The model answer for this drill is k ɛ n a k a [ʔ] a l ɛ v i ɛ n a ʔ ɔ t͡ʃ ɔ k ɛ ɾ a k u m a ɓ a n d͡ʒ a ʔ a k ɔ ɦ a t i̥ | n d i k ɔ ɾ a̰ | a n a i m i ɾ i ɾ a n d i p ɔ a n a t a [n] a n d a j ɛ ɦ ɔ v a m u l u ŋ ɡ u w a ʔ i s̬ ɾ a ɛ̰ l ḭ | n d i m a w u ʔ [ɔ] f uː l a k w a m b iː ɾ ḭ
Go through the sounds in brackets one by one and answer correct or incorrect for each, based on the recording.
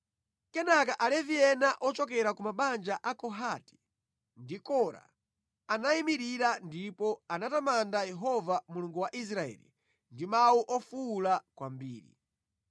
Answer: correct, incorrect: m, correct

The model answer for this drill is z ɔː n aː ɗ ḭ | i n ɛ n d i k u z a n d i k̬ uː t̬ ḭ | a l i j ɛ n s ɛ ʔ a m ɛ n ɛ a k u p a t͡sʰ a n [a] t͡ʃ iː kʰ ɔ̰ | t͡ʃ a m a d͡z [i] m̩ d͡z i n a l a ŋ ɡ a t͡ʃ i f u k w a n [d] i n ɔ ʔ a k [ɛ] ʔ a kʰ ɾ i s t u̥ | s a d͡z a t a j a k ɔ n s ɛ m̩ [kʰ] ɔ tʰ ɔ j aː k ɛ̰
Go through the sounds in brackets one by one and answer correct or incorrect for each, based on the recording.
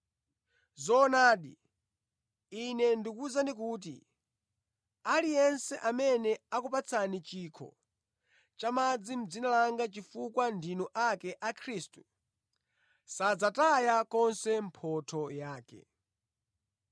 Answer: incorrect: i, correct, correct, correct, incorrect: pʰ

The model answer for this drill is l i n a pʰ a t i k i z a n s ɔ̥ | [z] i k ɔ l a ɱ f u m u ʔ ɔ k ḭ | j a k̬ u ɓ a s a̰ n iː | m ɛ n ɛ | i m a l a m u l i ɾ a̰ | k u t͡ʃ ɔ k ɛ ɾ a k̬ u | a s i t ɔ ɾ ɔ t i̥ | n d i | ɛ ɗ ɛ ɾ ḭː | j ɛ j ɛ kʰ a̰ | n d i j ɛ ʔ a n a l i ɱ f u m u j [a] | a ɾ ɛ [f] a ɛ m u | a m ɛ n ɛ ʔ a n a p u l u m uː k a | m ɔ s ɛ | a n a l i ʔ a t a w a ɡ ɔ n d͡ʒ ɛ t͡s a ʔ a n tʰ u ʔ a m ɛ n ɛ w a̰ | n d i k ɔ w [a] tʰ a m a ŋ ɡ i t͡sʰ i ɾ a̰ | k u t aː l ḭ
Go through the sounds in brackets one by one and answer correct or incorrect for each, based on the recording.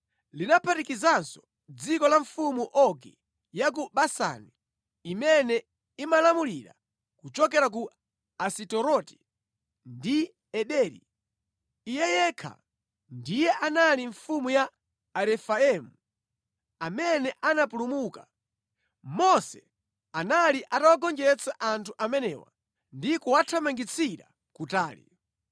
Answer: incorrect: d͡z, correct, correct, correct

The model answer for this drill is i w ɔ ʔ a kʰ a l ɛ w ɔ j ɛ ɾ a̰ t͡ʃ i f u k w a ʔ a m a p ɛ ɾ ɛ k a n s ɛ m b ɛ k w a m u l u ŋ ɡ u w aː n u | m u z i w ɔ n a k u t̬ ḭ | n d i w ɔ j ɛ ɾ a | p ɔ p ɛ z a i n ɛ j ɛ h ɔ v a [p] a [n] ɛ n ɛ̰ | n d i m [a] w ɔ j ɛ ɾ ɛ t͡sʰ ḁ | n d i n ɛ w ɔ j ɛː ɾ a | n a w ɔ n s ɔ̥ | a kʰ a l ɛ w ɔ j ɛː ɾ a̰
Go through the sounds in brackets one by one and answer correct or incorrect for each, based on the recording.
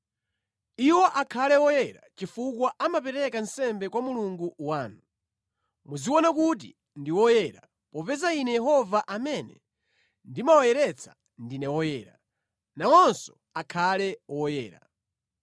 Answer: incorrect: ʔ, incorrect: m, correct

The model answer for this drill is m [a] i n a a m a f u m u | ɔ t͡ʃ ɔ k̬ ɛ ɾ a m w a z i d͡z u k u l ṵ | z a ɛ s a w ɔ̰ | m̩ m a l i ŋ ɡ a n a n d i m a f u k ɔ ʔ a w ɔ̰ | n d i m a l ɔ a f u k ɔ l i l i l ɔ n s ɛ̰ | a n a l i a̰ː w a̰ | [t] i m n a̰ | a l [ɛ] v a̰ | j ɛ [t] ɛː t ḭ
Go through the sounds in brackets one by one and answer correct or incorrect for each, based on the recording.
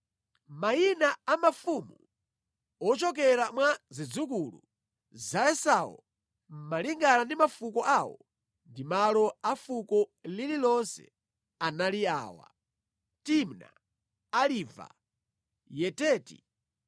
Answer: correct, correct, incorrect: i, correct

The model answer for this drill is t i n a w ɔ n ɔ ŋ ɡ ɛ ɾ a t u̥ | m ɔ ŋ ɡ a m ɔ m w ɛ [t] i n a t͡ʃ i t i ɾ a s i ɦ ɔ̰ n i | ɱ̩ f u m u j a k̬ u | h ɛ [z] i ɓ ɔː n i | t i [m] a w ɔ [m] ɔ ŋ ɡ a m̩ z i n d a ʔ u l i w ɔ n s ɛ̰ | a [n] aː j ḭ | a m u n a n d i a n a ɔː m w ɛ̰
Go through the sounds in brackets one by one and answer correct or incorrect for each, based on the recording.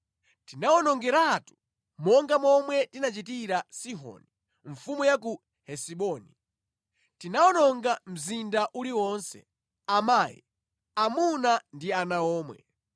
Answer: correct, incorrect: s, incorrect: n, incorrect: n, incorrect: m

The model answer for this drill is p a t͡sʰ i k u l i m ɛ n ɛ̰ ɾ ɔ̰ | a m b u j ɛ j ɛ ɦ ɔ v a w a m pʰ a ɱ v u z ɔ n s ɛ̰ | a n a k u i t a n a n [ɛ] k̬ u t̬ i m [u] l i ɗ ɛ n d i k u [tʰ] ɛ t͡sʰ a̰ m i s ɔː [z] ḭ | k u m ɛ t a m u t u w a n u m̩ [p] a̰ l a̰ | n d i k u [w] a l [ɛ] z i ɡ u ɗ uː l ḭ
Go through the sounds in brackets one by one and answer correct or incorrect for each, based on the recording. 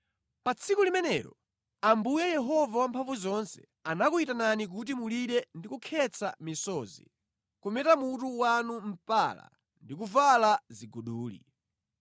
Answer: incorrect: i, correct, incorrect: kʰ, correct, correct, incorrect: v, incorrect: a

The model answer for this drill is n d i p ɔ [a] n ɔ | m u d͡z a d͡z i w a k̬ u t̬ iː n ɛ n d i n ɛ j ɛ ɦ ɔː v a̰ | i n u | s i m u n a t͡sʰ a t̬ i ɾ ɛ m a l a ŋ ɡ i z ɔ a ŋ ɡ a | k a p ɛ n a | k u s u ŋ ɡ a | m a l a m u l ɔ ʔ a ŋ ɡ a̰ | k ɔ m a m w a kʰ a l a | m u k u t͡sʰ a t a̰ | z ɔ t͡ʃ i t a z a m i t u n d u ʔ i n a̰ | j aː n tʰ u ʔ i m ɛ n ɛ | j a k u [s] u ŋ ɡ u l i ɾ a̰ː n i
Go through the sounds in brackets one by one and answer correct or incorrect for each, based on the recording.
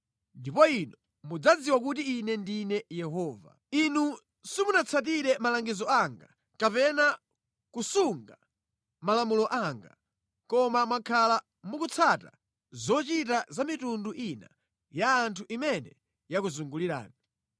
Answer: incorrect: i, incorrect: z

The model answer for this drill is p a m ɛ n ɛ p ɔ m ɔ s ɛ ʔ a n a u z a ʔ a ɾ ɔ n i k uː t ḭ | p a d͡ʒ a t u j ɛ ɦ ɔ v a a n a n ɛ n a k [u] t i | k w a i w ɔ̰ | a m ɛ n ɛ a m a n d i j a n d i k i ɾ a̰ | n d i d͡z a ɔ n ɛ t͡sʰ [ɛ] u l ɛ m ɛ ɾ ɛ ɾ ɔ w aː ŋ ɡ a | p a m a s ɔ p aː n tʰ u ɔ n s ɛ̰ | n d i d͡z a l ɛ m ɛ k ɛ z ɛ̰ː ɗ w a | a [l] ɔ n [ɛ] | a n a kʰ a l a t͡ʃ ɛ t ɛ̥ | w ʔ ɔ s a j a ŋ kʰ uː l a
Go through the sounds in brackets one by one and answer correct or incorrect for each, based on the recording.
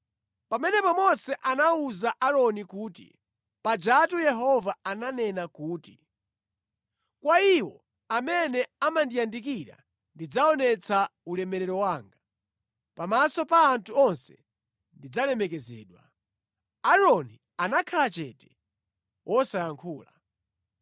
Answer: incorrect: uː, incorrect: a, incorrect: ɾ, incorrect: i

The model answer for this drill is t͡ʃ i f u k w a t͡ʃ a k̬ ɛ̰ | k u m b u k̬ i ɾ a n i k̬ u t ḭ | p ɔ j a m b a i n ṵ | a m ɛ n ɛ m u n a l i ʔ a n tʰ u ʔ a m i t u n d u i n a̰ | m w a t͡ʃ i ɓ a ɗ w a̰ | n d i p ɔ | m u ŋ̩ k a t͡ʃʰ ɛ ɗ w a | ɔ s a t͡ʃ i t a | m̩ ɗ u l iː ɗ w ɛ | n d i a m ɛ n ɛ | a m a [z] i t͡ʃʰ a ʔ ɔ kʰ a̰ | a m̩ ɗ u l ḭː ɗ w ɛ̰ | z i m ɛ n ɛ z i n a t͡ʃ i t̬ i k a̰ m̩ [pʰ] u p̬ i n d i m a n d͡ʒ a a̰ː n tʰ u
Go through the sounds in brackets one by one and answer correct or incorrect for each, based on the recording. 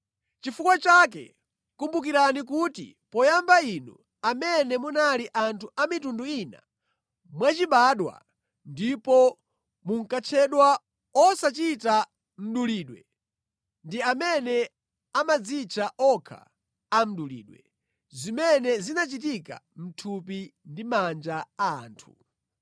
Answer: incorrect: d͡z, incorrect: tʰ

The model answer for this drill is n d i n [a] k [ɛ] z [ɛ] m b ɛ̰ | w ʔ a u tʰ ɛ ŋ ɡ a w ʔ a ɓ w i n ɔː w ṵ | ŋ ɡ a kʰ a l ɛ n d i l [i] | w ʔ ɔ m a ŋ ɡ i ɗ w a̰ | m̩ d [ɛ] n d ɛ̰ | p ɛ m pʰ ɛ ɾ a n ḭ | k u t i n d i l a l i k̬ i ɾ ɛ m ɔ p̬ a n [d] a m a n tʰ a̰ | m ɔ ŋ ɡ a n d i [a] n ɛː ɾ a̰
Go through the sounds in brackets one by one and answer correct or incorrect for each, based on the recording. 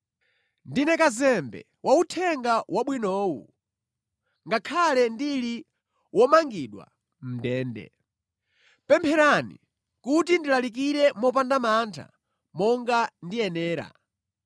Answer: incorrect: ɛ, incorrect: a, correct, correct, incorrect: ɛː, correct, incorrect: ɛ

